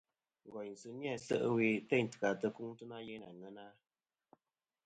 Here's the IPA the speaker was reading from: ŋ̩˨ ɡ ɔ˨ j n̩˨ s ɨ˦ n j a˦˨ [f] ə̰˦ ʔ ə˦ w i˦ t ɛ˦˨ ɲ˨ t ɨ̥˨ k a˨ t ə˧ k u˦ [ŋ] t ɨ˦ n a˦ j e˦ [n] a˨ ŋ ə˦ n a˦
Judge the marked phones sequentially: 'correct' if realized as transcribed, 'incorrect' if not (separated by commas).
incorrect, correct, correct